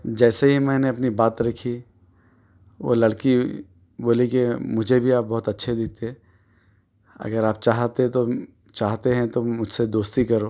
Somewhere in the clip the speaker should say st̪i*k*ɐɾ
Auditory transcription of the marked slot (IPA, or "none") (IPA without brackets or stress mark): k